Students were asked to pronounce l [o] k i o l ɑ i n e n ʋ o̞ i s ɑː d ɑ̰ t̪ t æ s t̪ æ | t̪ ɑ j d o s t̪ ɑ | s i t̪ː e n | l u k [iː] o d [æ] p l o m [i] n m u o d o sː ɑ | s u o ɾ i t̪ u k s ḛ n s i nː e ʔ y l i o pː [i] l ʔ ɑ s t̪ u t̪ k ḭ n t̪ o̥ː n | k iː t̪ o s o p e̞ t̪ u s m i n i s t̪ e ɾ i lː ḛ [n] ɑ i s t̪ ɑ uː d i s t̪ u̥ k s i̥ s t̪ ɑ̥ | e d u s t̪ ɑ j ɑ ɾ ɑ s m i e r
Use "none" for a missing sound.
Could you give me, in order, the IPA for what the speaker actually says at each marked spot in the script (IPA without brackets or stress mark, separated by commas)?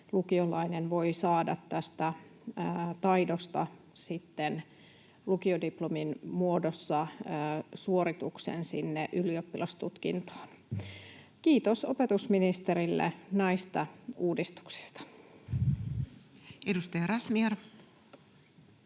u, i, i, i, i, n